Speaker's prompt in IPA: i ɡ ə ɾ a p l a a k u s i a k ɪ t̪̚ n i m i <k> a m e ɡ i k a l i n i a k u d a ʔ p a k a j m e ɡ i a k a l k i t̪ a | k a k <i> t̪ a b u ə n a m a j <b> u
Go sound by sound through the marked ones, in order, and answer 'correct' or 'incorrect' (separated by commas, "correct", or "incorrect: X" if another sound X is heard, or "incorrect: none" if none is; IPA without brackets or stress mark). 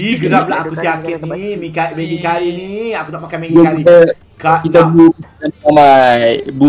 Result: correct, correct, correct